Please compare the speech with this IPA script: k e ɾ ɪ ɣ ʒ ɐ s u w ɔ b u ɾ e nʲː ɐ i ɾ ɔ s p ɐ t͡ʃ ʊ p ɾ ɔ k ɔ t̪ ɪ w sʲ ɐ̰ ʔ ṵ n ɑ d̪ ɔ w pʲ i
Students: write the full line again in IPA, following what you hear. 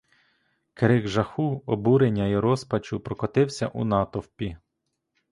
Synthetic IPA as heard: k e ɾ ɪ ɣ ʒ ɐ x u ɔ b u ɾ e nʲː ɐ i ɾ ɔ s p ɐ t͡ʃ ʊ p ɾ ɔ k ɔ t̪ ɪ w sʲ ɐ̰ ʔ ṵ n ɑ t̪ ɔ w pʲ i